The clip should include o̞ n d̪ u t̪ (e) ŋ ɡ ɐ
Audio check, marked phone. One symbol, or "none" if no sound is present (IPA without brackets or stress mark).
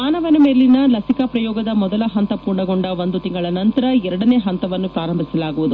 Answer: i